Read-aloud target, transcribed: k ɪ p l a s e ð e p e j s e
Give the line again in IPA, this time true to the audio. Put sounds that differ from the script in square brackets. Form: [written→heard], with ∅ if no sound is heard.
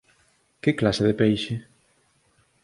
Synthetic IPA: k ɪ [p→k] l a s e ð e p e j [s→ʃ] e